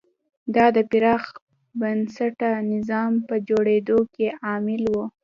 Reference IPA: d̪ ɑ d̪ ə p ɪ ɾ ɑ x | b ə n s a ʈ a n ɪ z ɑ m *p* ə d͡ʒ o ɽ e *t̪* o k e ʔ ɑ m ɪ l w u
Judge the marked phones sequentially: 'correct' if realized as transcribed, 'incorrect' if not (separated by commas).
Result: correct, incorrect